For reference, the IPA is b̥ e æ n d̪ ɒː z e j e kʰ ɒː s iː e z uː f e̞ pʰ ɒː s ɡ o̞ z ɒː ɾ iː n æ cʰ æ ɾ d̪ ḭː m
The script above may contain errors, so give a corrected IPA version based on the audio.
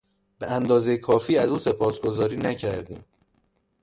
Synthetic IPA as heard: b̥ e æ n d̪ ɒː z e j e kʰ ɒː f iː æ z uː s e̞ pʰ ɒː s ɡ o̞ z ɒː ɾ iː n æ cʰ æ ɾ d̪ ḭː m

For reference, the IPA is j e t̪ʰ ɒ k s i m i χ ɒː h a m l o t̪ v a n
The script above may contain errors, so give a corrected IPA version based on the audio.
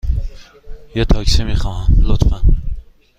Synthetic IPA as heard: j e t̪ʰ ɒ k s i m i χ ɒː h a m l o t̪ f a n

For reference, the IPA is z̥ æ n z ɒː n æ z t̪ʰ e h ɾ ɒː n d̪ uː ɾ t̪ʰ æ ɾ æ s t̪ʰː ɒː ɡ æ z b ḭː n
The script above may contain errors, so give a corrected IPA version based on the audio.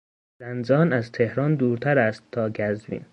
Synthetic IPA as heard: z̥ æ n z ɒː n æ z t̪ʰ e h ɾ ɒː n d̪ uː ɾ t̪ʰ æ ɾ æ s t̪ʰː ɒː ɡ æ z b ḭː n

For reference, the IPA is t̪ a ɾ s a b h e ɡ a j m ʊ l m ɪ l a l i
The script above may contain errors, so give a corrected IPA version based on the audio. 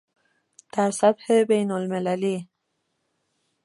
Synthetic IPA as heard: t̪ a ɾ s a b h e b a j n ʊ l m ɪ l a l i

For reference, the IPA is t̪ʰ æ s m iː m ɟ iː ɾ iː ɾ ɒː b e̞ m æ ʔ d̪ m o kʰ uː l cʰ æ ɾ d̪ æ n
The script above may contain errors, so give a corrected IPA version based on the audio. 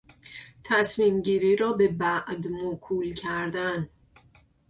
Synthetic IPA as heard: t̪ʰ æ s m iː m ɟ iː ɾ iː ɾ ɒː b e̞ b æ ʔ d̪ m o kʰ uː l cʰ æ ɾ d̪ æ n

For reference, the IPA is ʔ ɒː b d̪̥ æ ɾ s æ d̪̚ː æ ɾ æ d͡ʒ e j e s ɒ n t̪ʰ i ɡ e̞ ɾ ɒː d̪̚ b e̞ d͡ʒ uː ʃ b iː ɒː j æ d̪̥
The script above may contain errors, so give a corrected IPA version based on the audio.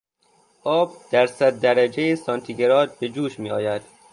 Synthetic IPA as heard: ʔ ɒː b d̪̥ æ ɾ s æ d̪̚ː æ ɾ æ d͡ʒ e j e s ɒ n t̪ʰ i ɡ e̞ ɾ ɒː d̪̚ b e̞ d͡ʒ uː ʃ m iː ɒː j æ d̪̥

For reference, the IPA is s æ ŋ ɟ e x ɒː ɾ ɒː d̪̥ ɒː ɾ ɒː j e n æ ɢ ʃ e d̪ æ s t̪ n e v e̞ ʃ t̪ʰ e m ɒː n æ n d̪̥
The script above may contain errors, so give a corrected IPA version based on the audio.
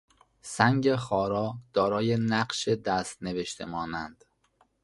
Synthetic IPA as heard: s æ ŋ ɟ e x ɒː ɾ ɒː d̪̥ ɒː ɾ ɒː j e n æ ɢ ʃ e d̪ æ s t̪ n e v e̞ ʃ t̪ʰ e m ɒː n æ n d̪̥

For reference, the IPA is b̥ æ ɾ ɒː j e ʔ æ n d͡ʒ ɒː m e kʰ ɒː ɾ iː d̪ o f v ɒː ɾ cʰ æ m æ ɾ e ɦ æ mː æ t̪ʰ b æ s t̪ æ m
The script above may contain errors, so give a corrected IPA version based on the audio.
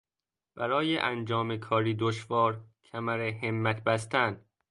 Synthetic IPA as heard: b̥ æ ɾ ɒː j e ʔ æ n d͡ʒ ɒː m e kʰ ɒː ɾ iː d̪ o ʃ v ɒː ɾ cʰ æ m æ ɾ e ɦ e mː æ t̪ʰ b æ s t̪ æ n

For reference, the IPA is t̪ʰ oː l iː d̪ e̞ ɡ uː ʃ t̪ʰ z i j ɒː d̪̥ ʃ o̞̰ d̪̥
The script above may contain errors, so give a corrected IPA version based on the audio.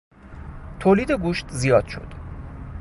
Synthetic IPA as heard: t̪ʰ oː l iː d̪ e̞ ɡ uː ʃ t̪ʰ z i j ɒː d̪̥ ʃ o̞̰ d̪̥

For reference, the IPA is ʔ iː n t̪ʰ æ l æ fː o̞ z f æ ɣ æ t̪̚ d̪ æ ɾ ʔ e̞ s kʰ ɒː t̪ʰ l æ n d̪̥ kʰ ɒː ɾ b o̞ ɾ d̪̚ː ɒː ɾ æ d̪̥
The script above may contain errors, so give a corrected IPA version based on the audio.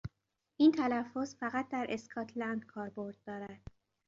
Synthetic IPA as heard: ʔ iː n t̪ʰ æ l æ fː o̞ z f æ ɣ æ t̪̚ d̪ æ ɾ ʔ e̞ s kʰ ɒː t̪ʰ l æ n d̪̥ kʰ ɒː ɾ b o̞ ɾ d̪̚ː ɒː ɾ æ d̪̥

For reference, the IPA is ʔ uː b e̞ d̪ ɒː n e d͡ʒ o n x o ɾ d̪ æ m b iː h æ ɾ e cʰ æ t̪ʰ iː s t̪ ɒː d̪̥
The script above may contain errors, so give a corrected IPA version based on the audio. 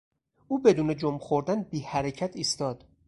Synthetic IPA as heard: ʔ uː b e̞ d̪ uː n e d͡ʒ o m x o ɾ d̪ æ n b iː h æ ɾ e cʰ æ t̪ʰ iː s t̪ ɒː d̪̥

